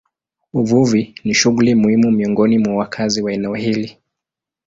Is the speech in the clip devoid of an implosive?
yes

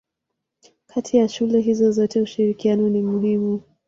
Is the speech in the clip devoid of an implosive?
yes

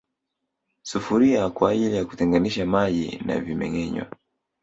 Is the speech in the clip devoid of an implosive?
no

